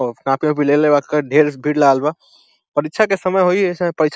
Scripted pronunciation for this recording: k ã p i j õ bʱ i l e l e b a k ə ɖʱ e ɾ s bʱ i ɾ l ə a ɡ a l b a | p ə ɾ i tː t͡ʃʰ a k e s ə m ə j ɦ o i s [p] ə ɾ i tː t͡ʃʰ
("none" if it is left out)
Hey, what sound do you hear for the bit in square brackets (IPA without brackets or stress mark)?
p